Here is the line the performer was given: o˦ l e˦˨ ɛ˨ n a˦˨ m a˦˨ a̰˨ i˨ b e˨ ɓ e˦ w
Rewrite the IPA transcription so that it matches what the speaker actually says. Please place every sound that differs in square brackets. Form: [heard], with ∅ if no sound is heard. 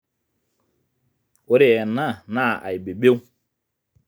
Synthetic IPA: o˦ [ɾ] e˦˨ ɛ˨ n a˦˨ [n] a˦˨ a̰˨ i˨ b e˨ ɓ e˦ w